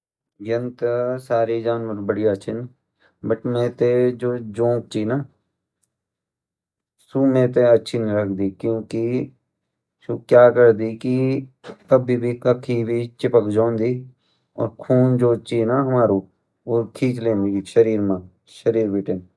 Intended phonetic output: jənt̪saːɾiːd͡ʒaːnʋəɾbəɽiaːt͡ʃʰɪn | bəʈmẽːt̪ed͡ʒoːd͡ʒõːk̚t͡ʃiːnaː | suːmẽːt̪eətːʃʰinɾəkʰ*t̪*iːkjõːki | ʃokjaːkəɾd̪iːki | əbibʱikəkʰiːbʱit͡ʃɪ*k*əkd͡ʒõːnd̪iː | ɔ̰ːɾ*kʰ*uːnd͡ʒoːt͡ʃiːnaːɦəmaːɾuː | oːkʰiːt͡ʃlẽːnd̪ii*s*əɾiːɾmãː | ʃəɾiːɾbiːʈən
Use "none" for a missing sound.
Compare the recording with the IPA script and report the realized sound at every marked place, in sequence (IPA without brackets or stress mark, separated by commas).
d̪, p, kʰ, ʃ